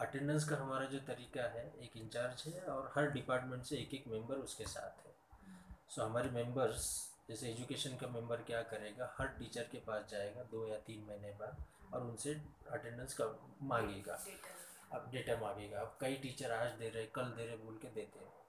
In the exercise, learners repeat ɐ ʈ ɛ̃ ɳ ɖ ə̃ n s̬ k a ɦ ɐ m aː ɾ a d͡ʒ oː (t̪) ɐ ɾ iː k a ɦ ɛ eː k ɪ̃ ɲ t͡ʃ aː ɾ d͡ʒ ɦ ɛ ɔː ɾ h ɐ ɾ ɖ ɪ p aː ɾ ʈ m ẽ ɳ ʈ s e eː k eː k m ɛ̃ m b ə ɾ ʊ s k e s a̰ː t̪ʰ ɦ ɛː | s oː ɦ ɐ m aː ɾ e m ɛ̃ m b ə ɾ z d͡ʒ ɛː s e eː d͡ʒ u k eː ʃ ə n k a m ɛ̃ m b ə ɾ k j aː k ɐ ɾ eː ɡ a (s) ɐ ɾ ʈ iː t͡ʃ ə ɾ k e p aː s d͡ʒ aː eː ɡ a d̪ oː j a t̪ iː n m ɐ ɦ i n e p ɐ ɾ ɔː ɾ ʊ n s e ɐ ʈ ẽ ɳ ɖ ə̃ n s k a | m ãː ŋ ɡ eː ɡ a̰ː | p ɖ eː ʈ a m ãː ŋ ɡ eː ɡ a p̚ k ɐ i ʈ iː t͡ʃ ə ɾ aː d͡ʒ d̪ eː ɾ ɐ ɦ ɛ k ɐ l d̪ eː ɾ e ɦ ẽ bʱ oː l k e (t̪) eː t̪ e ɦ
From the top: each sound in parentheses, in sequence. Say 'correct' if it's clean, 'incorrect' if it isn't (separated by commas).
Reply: correct, incorrect, incorrect